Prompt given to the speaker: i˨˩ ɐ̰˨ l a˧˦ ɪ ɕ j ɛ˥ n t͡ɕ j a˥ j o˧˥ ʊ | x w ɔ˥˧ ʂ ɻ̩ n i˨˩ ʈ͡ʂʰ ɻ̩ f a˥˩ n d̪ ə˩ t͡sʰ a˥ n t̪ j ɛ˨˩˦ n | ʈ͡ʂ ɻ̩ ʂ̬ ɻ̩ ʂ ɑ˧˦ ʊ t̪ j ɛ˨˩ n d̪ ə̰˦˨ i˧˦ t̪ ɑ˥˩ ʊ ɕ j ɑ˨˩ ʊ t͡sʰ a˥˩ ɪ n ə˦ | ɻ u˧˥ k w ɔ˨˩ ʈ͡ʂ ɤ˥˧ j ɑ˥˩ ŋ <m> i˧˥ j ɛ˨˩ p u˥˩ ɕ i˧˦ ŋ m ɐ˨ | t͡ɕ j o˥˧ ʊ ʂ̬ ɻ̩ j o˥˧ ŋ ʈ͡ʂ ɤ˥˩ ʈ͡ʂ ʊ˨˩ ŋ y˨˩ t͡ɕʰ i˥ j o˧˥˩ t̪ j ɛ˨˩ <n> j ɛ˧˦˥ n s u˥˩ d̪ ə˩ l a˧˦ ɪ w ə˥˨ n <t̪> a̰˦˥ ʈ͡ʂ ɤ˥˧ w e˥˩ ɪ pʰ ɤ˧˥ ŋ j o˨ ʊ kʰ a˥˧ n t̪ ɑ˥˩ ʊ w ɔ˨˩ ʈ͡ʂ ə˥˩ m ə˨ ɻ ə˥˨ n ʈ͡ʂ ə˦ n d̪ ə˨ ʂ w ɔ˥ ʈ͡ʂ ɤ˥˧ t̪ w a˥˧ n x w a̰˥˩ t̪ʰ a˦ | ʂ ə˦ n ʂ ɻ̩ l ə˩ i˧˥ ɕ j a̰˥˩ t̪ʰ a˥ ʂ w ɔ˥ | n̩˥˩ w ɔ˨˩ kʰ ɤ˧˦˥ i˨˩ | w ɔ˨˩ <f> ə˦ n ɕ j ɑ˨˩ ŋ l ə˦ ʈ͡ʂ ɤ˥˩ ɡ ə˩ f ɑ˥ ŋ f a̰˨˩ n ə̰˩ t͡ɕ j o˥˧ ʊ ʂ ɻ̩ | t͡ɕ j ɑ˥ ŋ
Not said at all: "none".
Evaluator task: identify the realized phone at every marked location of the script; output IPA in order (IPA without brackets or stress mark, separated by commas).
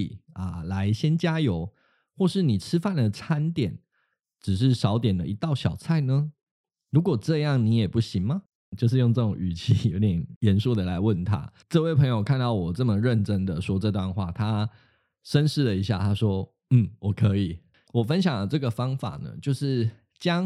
n, n, t̪ʰ, f